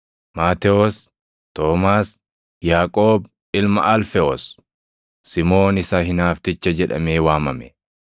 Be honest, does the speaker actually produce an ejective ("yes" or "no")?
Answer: yes